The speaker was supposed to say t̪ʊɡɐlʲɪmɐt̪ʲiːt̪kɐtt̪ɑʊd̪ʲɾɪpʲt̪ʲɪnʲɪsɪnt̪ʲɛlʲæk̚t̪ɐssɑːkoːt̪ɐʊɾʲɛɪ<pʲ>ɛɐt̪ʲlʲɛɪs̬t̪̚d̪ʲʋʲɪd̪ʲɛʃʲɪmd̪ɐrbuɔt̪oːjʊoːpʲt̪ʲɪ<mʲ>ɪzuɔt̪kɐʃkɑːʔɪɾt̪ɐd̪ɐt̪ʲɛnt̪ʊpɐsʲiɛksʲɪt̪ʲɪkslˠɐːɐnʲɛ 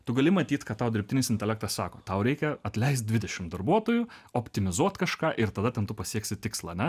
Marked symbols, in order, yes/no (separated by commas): no, yes